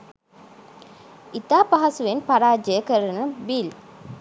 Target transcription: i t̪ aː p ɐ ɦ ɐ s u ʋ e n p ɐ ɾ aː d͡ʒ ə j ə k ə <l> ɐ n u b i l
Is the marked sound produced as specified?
no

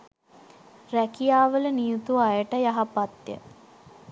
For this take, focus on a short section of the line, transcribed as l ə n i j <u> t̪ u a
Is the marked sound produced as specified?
yes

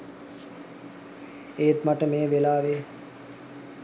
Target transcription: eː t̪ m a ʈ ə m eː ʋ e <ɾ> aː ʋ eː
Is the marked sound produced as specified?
no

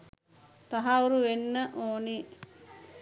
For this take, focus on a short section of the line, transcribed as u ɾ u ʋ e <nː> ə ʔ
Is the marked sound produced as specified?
yes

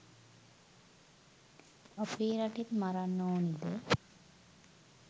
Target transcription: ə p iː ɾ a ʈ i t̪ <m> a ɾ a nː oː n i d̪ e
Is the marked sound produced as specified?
yes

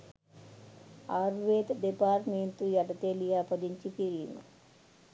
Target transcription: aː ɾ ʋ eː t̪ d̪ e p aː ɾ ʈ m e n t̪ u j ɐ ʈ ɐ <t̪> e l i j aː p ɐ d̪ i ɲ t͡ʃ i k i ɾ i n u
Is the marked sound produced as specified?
yes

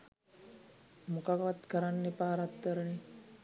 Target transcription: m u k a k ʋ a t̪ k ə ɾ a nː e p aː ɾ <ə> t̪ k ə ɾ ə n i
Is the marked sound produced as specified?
no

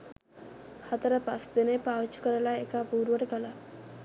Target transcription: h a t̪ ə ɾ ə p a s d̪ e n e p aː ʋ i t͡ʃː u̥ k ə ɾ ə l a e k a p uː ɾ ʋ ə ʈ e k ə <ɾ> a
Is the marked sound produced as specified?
no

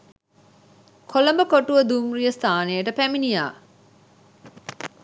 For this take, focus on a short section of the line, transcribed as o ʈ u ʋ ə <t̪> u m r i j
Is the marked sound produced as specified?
no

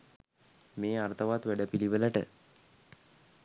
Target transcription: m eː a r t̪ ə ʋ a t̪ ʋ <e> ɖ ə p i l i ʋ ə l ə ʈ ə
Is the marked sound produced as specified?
no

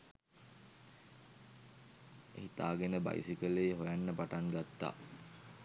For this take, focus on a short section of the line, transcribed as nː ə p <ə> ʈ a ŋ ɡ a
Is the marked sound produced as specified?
no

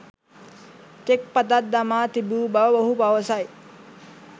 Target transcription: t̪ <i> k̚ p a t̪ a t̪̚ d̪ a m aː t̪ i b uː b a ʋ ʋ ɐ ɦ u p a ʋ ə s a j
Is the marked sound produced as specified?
no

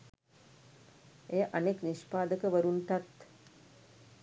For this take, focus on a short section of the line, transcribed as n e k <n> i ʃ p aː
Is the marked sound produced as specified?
yes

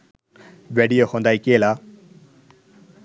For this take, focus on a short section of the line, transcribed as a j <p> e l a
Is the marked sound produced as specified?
no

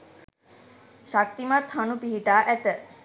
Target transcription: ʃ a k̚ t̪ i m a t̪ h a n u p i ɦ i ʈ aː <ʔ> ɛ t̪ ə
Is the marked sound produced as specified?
yes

